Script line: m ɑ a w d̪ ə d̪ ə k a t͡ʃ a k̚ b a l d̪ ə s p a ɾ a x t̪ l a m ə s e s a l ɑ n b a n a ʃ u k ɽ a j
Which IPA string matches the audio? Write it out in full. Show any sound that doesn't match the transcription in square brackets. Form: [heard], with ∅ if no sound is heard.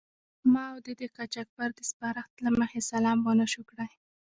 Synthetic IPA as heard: m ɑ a w d̪ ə d̪ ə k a t͡ʃ a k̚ b a [ɾ] d̪ ə s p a ɾ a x t̪ l a m ə [x] e s a l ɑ [m] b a n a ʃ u k ɽ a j